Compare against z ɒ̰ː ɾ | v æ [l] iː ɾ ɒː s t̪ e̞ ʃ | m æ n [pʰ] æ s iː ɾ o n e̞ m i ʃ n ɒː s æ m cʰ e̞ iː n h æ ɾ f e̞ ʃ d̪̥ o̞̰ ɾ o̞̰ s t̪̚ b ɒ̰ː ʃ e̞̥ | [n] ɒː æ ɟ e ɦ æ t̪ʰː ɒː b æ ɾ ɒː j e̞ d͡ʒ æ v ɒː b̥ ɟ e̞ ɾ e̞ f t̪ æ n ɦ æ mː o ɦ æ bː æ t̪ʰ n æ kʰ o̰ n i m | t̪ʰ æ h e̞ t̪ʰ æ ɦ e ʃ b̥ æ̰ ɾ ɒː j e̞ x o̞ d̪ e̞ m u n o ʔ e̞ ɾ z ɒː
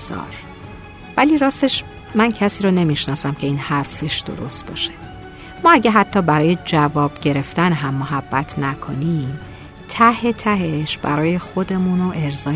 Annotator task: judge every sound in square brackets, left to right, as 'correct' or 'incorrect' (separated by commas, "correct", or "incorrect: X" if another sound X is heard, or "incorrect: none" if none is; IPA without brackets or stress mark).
correct, incorrect: cʰ, incorrect: m